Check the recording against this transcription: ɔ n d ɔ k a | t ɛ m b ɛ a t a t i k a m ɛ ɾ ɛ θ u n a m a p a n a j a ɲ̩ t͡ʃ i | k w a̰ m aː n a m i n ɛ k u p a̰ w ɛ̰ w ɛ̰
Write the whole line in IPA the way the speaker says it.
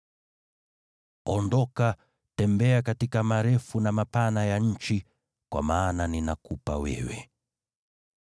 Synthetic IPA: ɔ n d ɔ k a | t ɛ m b ɛ a k a t i k a m a ɾ ɛ f u n a m a p a n a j a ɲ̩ t͡ʃ i | k w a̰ m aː n a n i n a k u p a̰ w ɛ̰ w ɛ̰